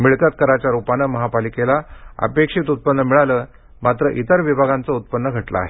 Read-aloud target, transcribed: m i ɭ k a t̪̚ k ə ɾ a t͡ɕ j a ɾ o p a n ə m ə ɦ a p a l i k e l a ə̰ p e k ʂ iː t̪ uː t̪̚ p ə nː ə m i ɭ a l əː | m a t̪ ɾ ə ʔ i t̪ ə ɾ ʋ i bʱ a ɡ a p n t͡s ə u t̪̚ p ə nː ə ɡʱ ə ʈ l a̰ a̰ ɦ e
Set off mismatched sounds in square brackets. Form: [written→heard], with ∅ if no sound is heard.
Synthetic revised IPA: m i ɭ k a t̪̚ k ə ɾ a t͡ɕ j a ɾ [o→u] p a n ə m ə ɦ a p a l i k e l a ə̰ p e k ʂ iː t̪ [uː→u] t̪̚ p ə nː ə m i ɭ a l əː | m a t̪ ɾ ə ʔ i t̪ ə ɾ ʋ i bʱ a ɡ a [p→∅] n t͡s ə u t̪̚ p ə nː ə ɡʱ ə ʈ l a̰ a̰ ɦ e